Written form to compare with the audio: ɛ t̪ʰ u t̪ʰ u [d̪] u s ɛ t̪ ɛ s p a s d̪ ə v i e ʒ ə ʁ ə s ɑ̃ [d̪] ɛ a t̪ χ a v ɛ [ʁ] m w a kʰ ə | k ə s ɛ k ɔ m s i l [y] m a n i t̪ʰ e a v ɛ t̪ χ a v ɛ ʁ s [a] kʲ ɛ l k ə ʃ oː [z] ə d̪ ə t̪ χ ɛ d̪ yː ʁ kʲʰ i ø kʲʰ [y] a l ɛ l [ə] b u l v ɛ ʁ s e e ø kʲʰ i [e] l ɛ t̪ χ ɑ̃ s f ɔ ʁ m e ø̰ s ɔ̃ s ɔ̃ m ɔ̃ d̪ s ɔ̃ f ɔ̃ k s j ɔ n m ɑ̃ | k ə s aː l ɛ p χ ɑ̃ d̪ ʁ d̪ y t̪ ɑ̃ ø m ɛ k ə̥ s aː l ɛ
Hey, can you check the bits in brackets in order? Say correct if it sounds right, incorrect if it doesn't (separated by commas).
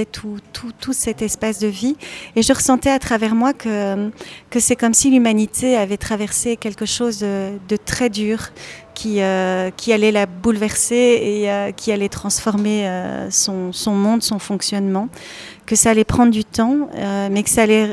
incorrect, incorrect, correct, correct, incorrect, correct, incorrect, incorrect, incorrect